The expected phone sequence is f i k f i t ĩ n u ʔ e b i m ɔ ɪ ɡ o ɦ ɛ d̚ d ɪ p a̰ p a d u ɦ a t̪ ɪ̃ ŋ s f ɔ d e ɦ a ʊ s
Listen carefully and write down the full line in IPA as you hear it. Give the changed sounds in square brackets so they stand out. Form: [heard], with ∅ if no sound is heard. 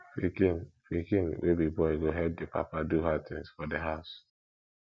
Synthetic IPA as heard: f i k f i [k] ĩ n [w] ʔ e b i [b] ɔ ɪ ɡ o ɦ ɛ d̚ d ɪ p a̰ p a d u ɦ a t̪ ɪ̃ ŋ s f ɔ d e ɦ a ʊ s